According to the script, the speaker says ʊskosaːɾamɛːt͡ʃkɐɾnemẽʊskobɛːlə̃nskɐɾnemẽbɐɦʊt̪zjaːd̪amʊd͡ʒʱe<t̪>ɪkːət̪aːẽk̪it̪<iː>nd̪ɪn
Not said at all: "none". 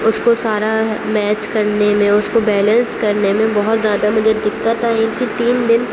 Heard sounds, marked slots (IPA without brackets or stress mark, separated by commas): d̪, iː